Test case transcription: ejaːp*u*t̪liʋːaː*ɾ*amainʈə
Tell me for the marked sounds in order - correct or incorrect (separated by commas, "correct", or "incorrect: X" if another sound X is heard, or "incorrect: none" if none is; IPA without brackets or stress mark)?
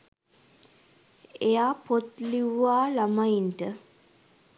incorrect: o, incorrect: l